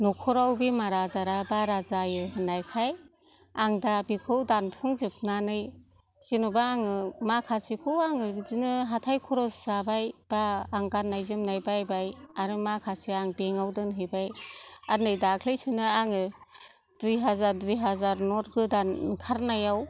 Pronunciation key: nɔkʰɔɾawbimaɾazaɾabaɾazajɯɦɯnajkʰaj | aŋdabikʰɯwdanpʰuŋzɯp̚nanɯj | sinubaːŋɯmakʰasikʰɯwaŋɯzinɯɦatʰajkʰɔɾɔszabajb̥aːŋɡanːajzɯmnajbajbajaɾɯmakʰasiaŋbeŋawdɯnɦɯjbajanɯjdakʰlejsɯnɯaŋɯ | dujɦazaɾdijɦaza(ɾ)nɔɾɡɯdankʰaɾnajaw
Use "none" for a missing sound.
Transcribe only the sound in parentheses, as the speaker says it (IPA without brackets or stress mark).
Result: ɾ